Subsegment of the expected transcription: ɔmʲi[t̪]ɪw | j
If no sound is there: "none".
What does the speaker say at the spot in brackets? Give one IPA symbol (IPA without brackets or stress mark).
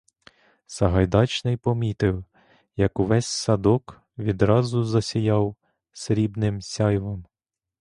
t̪